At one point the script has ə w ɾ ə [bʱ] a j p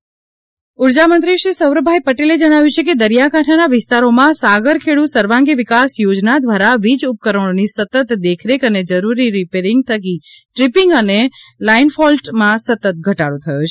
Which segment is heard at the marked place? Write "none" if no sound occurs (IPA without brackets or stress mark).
bʱ